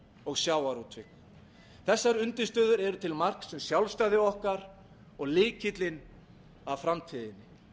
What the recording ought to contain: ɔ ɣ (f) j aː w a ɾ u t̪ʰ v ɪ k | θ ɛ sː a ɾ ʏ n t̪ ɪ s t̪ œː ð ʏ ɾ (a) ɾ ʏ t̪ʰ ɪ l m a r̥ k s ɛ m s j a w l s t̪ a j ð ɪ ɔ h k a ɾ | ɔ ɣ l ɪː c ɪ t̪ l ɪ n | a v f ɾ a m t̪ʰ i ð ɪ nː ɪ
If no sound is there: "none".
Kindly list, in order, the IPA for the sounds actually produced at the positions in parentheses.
s, ɛ

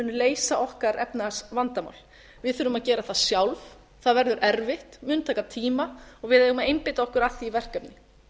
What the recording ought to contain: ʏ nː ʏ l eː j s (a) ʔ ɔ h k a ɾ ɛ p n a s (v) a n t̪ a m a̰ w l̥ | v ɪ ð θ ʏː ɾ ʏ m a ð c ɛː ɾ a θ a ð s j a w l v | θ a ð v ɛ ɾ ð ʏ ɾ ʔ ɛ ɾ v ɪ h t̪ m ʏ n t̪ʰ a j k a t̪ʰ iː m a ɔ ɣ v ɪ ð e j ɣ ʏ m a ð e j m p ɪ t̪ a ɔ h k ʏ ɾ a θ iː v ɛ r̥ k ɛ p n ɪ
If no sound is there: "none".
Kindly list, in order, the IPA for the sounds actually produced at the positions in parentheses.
a, v

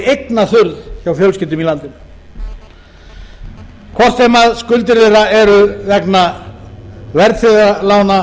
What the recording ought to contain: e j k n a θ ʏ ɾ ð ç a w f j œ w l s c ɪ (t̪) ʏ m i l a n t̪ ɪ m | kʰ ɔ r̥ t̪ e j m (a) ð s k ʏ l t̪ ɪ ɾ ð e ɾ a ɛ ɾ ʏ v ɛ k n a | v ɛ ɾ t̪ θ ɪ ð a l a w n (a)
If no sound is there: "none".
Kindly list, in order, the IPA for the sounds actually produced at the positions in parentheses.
t̪, a, a

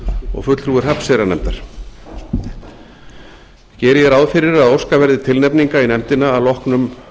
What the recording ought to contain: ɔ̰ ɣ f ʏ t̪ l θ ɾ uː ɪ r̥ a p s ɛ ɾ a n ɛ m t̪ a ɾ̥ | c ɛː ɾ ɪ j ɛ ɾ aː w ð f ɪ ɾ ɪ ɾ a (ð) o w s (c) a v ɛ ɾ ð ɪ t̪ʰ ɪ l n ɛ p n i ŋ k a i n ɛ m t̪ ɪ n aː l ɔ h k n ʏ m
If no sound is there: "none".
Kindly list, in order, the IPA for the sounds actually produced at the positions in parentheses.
ð, k

